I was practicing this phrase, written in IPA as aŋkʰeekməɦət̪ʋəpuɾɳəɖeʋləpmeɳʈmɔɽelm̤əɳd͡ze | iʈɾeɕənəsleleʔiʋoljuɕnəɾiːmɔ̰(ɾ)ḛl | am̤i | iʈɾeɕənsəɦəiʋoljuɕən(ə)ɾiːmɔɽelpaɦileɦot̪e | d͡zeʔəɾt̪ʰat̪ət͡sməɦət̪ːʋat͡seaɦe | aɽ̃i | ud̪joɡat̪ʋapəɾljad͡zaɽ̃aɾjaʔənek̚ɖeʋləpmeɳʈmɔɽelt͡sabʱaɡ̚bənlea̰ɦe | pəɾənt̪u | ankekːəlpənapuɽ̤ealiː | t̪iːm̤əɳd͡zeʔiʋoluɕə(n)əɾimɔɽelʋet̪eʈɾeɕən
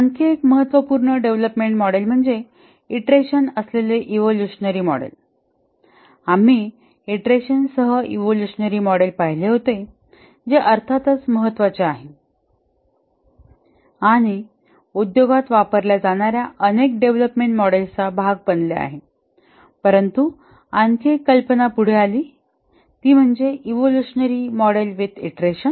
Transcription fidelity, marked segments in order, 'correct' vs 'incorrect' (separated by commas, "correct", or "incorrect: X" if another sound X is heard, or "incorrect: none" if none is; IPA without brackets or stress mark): incorrect: ɽ, correct, correct